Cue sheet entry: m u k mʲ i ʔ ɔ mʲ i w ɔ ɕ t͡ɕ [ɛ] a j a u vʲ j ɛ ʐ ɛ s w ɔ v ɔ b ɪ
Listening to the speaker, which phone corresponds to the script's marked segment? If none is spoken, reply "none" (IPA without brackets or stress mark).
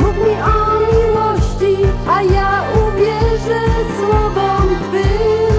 i